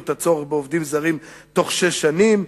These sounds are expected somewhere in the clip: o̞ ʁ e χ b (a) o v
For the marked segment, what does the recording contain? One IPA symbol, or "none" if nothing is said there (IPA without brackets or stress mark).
e